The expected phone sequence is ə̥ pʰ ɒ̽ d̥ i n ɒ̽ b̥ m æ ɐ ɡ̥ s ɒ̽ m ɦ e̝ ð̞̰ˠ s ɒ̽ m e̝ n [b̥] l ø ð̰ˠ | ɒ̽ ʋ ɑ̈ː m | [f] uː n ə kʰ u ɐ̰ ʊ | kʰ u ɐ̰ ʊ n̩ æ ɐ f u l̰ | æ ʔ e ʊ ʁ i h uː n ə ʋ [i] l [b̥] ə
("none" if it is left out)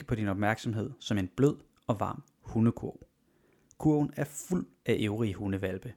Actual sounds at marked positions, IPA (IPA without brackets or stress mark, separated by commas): b̥, h, æ, b̥